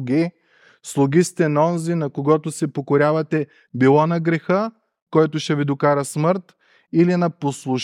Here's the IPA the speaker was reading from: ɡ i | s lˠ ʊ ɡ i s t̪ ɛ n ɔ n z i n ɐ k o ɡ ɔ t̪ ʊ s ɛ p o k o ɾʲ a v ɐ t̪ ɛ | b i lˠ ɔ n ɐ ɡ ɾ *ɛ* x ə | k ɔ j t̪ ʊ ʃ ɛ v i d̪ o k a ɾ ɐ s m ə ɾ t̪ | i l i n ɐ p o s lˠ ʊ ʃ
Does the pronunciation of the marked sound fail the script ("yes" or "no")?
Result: no